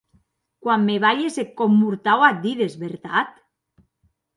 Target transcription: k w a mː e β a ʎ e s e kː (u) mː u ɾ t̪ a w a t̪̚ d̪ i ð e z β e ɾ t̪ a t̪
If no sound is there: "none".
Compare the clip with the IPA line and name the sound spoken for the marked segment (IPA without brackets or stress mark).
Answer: o